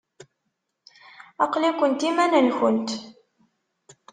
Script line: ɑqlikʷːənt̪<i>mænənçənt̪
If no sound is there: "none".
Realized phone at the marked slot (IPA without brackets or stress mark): i